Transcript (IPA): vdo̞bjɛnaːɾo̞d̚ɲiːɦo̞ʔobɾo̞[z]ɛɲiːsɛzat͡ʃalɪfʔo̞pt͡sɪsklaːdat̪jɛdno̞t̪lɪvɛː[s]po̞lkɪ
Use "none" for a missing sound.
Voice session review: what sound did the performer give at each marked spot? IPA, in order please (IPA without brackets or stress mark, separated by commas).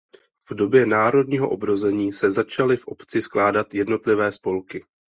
z, s